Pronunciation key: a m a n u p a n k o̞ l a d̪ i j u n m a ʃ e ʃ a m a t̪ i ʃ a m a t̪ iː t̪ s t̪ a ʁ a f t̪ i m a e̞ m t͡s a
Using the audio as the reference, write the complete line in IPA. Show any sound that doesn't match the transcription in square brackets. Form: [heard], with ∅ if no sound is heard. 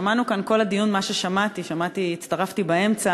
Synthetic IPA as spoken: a m a n u [k] a n k o̞ l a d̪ i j u n m a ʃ e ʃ a m a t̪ i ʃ a m a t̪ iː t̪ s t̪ a ʁ a f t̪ i [b] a e̞ m t͡s a